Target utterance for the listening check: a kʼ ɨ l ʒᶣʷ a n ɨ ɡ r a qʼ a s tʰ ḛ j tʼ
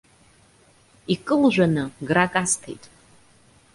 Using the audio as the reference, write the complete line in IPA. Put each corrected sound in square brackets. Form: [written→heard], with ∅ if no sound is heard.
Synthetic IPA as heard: [a→i] kʼ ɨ l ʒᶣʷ a n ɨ ɡ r a [qʼ→kʼ] a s tʰ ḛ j tʼ